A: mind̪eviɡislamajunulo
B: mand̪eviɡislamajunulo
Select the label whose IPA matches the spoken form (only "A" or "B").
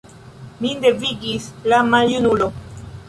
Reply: A